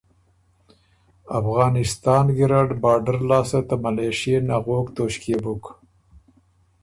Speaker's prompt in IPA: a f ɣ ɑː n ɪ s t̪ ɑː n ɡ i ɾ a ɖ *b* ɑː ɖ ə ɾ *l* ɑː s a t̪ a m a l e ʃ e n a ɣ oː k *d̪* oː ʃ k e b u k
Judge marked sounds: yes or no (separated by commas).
yes, yes, no